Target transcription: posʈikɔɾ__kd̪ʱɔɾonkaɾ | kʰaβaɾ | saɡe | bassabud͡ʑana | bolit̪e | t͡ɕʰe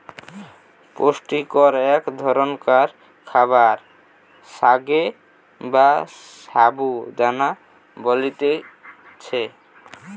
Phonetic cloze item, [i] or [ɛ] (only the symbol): ɛ